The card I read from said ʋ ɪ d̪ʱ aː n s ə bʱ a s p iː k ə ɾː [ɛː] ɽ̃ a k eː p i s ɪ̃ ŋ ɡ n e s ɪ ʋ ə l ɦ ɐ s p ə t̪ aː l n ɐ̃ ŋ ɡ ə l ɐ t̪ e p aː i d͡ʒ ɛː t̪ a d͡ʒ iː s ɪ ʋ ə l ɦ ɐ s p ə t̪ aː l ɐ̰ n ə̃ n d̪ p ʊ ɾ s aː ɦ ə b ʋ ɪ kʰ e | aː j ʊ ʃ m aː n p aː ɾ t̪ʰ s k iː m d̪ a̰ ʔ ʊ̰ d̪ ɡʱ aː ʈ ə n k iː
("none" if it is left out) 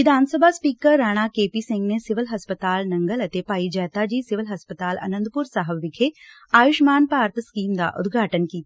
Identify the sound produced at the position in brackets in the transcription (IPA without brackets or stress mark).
aː